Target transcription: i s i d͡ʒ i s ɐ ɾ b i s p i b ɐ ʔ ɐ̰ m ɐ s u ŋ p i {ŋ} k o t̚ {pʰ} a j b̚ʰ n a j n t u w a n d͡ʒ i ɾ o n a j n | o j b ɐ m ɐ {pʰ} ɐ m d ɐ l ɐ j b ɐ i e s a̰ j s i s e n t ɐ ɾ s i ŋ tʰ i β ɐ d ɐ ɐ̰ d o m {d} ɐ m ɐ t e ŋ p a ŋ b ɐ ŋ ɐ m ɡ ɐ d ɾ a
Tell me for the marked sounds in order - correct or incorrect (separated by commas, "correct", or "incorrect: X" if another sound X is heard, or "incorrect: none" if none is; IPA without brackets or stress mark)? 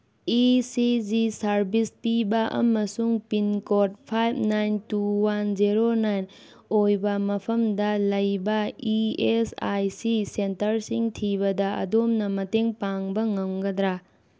incorrect: n, correct, correct, incorrect: n